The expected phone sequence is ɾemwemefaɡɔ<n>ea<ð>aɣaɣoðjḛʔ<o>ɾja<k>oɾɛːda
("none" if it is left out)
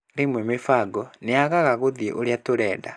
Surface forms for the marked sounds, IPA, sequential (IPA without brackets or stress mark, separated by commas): n, ɣ, o, t